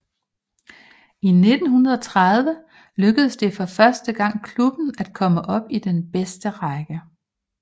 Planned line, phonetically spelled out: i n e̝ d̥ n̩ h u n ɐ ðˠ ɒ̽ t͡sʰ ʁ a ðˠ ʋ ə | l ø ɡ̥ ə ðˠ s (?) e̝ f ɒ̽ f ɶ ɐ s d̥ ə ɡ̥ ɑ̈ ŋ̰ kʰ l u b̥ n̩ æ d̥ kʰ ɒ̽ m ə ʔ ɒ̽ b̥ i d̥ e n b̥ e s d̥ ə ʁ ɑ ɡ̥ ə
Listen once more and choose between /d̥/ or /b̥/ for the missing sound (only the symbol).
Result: d̥